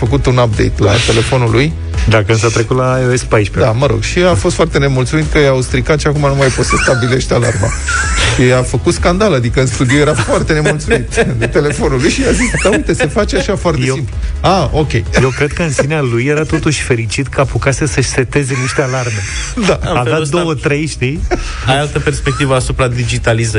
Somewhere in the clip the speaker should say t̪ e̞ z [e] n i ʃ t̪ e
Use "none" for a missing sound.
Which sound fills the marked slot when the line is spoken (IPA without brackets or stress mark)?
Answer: e